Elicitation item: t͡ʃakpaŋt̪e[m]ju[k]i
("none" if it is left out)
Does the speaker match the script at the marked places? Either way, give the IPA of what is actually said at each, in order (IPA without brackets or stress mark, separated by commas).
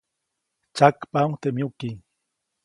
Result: m, k